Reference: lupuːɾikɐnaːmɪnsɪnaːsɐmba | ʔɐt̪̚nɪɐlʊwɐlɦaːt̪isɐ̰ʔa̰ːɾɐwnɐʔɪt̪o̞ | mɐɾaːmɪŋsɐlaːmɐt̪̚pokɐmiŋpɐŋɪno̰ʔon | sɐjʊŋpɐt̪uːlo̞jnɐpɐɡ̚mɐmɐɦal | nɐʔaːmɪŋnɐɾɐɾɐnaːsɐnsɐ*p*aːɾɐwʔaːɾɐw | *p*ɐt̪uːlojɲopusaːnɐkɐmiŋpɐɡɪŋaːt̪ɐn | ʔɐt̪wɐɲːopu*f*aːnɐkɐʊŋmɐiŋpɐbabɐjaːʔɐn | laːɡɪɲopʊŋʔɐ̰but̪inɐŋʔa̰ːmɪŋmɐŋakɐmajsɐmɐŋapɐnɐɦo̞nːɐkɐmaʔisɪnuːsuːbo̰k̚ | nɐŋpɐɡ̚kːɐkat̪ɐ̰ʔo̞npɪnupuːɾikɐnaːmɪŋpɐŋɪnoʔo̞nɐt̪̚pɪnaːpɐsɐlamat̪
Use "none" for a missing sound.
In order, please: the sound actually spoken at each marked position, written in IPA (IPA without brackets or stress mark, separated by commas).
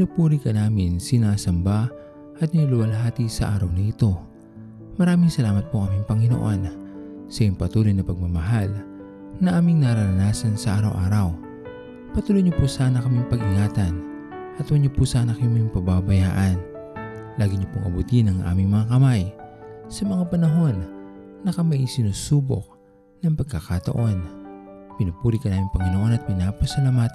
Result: ʔ, p, s